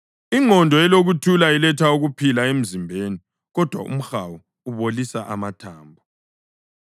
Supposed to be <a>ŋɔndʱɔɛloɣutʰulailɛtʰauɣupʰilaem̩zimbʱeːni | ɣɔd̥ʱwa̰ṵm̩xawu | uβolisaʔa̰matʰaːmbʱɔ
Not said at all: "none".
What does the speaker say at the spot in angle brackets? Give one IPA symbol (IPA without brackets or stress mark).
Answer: i